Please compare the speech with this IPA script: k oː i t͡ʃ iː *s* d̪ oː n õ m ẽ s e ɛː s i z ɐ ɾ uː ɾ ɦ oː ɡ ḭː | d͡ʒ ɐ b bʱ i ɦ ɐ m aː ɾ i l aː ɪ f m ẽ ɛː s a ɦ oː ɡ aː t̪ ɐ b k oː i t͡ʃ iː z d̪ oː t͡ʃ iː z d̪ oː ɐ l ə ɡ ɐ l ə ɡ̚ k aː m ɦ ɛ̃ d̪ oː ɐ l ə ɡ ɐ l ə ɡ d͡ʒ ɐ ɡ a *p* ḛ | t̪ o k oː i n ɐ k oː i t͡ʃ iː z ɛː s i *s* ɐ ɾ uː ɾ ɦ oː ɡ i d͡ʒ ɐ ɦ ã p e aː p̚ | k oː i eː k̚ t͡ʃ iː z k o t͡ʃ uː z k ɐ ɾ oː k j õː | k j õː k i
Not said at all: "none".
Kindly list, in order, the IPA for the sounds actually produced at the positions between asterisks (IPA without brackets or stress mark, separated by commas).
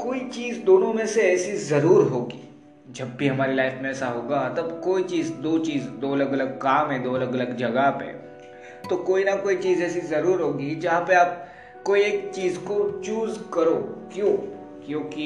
z, p, z